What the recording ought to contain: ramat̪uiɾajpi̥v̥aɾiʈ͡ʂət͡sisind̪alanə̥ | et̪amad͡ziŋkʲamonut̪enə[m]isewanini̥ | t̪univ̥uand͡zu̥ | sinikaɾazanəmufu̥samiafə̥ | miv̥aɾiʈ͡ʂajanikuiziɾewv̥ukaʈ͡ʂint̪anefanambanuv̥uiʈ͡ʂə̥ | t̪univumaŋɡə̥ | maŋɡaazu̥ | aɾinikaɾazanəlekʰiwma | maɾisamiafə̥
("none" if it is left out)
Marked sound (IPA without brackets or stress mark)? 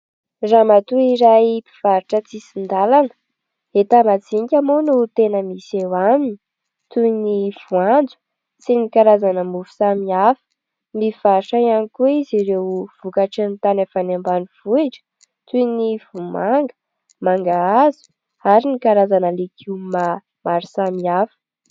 m